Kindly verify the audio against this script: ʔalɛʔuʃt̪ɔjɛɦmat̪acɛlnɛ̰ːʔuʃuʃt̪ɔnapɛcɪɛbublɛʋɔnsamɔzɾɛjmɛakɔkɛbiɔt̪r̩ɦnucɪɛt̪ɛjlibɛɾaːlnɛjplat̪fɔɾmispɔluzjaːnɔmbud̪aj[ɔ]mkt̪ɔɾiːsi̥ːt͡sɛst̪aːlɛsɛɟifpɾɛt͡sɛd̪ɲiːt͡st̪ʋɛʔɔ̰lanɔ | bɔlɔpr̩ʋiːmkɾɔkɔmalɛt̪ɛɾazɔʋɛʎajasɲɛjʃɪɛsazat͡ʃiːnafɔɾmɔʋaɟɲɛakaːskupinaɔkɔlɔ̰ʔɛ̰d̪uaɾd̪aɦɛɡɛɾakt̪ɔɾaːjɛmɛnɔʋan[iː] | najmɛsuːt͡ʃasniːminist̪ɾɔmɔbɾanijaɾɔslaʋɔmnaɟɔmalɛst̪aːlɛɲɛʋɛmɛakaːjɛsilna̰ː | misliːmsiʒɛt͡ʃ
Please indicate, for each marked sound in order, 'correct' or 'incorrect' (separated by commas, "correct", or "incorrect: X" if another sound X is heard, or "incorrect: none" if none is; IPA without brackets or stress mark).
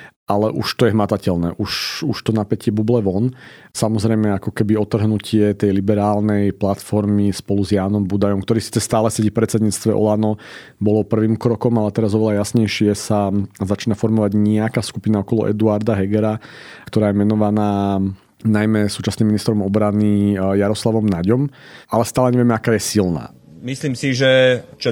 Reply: correct, incorrect: aː